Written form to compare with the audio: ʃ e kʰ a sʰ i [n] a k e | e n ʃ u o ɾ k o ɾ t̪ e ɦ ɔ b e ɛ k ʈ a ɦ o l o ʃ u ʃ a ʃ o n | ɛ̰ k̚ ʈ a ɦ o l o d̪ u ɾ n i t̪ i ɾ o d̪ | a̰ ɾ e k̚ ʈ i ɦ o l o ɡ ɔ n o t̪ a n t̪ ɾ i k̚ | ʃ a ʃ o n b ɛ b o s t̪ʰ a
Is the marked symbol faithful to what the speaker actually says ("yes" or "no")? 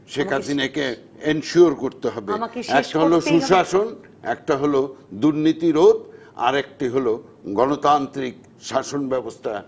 yes